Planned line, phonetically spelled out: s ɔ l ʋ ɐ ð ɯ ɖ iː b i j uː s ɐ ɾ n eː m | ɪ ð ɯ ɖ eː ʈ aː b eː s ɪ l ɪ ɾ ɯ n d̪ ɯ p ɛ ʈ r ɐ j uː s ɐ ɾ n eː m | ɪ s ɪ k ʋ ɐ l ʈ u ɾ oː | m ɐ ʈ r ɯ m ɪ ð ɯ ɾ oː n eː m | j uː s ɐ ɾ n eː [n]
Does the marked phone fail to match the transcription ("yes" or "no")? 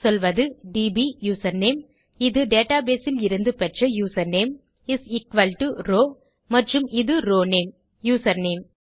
yes